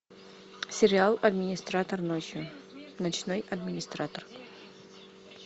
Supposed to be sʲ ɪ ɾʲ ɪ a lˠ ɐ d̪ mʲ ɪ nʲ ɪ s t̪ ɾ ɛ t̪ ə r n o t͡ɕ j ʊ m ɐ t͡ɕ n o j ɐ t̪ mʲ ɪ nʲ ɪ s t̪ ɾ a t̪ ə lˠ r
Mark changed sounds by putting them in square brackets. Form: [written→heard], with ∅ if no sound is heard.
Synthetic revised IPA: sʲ ɪ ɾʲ ɪ a lˠ ɐ d̪ mʲ ɪ nʲ ɪ s t̪ ɾ [ɛ→a] t̪ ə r n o t͡ɕ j ʊ [m→n] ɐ t͡ɕ n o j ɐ [t̪→d̪] mʲ ɪ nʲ ɪ s t̪ ɾ a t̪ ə [lˠ→∅] r